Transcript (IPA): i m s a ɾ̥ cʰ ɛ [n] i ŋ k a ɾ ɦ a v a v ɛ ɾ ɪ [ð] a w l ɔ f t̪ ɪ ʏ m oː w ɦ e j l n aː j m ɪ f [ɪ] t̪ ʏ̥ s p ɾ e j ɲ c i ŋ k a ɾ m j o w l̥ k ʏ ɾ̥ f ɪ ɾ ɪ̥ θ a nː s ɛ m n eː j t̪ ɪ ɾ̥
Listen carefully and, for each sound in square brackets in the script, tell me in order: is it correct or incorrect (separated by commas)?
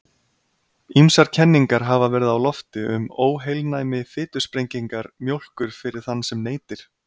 incorrect, correct, incorrect